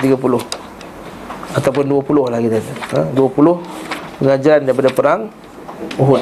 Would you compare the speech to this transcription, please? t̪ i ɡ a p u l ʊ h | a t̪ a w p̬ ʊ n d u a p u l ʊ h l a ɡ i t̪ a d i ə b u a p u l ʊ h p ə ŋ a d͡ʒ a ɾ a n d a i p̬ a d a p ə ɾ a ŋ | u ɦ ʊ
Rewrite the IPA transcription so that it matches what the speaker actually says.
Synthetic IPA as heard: t̪ i ɡ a p u l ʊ h | a t̪ a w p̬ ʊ n d u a p u l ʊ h l a ɡ i t̪ a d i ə d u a p u l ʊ h p ə ŋ a d͡ʒ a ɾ a n d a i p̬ a d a p ə ɾ a ŋ | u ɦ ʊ